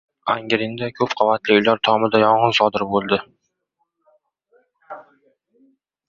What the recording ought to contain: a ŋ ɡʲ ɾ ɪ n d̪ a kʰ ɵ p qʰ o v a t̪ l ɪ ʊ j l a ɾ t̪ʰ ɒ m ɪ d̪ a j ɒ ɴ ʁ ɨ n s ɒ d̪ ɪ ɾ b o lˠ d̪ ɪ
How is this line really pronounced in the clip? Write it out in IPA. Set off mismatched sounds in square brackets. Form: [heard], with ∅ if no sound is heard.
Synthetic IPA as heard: a ŋ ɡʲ ɾ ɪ n d̪ a kʰ ɵ p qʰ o v a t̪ l ɪ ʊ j l a ɾ t̪ʰ ɒ m ɪ d̪ a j ɒ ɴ ʁ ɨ n s ɒ d̪ ɪ ɾ b o lˠ d̪ ɪ